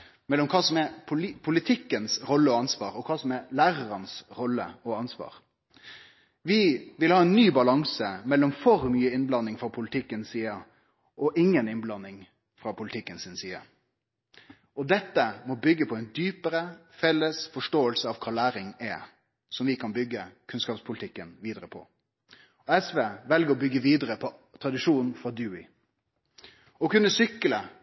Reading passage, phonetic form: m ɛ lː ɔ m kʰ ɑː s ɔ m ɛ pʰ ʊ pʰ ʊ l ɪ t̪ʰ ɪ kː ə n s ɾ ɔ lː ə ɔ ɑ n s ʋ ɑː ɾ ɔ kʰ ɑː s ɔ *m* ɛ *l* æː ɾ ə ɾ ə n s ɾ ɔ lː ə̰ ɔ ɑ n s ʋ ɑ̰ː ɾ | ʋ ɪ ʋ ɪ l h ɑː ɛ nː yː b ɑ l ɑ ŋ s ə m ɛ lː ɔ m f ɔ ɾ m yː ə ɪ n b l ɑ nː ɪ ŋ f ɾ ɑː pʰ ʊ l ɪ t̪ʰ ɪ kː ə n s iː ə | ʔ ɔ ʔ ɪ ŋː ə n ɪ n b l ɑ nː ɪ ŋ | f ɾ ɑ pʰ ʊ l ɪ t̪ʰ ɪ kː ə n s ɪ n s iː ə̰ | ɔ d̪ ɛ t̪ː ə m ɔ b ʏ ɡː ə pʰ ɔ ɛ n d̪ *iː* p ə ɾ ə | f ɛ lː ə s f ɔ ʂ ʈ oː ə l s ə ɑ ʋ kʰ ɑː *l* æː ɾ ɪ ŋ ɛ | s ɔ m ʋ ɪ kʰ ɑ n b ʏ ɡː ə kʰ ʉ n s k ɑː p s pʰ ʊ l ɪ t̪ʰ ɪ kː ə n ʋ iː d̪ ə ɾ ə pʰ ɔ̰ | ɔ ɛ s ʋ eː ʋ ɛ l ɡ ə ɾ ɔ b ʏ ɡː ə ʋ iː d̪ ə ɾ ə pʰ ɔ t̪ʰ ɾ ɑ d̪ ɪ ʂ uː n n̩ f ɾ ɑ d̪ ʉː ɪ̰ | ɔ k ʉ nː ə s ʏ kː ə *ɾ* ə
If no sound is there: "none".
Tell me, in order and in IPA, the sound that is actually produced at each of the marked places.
m, l, yː, l, l

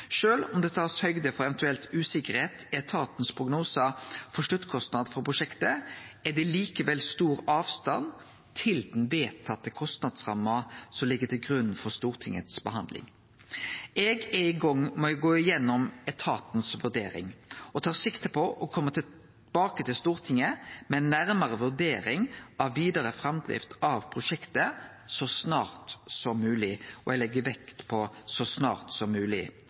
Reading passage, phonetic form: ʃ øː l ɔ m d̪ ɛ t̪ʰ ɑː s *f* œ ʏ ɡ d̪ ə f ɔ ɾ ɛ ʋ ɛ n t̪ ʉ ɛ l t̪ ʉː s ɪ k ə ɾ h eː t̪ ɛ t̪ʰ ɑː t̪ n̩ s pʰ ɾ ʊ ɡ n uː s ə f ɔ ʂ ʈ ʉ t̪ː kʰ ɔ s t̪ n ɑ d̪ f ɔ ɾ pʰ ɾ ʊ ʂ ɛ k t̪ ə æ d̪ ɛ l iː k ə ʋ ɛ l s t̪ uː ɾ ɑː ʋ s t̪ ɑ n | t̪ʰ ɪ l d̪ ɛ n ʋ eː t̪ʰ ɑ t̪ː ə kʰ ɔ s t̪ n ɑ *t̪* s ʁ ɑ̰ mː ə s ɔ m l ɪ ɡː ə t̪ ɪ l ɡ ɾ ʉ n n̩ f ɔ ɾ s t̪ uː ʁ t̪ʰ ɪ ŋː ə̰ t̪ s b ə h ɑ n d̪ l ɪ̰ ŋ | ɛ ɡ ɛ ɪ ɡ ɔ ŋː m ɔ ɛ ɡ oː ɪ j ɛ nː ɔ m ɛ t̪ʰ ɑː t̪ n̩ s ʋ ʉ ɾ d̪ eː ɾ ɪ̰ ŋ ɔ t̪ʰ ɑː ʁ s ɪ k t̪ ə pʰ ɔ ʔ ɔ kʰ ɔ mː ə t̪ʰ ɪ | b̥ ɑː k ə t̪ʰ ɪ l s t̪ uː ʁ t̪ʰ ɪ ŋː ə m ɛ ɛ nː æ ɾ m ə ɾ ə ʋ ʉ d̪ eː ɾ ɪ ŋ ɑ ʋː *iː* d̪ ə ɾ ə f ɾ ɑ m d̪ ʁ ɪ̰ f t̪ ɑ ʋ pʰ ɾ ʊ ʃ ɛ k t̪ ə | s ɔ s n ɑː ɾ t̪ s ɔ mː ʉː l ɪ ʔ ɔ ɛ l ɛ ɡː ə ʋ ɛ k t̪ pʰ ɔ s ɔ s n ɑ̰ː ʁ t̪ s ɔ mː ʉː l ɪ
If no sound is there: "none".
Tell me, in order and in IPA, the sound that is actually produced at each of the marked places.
h, d̪, iː

